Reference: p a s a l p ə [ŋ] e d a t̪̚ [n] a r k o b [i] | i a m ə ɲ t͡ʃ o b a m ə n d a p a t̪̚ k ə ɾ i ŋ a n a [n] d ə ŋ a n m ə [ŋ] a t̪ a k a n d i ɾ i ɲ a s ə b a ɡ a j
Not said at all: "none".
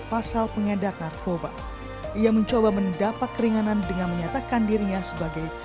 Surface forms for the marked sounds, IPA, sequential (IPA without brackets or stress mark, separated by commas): ŋ, n, a, n, ɲ